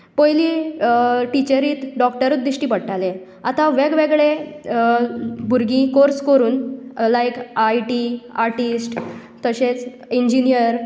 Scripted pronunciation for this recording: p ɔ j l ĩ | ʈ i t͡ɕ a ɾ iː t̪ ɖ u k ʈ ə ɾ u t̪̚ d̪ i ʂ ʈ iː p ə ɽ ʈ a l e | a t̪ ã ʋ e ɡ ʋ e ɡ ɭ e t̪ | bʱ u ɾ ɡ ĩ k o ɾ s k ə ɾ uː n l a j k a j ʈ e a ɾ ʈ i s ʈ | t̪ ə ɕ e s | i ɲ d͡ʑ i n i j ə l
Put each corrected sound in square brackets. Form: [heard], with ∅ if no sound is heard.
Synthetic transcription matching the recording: p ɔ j l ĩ | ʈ i t͡ɕ [ə] ɾ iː t̪ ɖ [ɔ] k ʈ ə ɾ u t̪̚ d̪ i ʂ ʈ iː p ə ɽ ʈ a l e | a t̪ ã ʋ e ɡ ʋ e ɡ ɭ e [∅] | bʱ u ɾ ɡ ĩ k o ɾ s k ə ɾ uː n l a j k a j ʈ [i] a ɾ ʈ i s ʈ | t̪ ə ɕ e [t͡s] | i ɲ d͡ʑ i n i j ə [ɾ]